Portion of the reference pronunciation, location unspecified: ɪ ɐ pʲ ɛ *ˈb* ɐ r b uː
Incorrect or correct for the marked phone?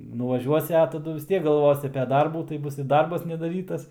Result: incorrect: d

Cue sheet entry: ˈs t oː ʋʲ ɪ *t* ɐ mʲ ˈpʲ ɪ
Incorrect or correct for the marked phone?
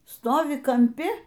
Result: incorrect: k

